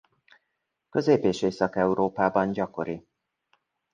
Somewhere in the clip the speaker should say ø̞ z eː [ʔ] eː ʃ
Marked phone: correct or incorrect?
incorrect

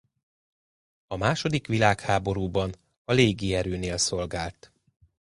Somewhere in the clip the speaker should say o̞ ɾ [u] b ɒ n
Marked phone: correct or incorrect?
incorrect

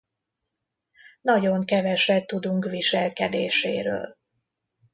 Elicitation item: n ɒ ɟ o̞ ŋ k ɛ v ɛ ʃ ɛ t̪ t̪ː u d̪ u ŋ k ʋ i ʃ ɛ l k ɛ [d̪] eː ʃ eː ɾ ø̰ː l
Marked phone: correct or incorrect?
correct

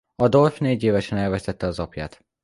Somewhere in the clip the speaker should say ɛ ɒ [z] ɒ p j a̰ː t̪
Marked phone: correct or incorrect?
correct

